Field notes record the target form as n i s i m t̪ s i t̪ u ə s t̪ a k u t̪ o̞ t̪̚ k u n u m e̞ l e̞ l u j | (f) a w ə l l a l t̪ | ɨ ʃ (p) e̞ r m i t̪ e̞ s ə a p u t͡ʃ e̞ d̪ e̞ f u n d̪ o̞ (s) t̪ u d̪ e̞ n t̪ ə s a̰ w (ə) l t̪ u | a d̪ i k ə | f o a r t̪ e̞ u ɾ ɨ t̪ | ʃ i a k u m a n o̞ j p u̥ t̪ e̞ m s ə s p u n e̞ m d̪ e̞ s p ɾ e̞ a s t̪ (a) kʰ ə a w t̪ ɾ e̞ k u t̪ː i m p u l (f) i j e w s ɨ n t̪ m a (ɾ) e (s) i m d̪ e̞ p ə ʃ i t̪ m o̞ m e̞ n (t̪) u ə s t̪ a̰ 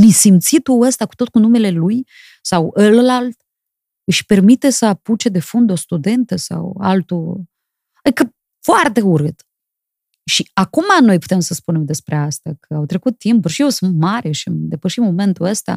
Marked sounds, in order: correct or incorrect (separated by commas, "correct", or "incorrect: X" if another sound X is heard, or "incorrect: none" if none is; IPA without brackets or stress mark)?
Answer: incorrect: s, correct, correct, incorrect: a, correct, incorrect: ʃ, correct, incorrect: ʃ, correct